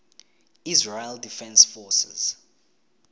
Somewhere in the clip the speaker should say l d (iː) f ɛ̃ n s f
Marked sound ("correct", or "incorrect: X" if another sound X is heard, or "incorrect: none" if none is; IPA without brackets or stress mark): incorrect: i